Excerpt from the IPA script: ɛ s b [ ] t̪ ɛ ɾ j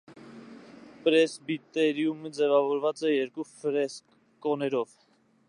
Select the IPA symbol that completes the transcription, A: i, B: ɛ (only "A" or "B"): A